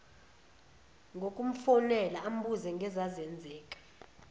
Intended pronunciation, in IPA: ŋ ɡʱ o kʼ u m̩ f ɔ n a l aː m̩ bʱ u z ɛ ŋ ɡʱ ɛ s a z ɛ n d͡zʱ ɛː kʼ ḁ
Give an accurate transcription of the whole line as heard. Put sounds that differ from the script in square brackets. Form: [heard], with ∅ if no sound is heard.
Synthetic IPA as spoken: ŋ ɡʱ o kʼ u m̩ f ɔ n [ɛ] l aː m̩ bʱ u z ɛ ŋ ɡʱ ɛ [z] a z ɛ n d͡zʱ ɛː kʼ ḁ